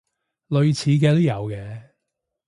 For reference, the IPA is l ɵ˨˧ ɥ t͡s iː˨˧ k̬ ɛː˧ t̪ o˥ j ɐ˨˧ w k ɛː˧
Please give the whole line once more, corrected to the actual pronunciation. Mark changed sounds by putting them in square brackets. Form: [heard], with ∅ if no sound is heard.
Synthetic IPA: l ɵ˨˧ ɥ [t͡sʰ] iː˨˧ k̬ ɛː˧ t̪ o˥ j ɐ˨˧ w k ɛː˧